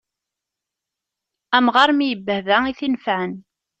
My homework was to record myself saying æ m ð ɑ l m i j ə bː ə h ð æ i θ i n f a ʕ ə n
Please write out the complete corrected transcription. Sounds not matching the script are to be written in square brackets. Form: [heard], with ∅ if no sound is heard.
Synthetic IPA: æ m [ʁ] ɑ [ɾ] m i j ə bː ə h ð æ i θ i n f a ʕ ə n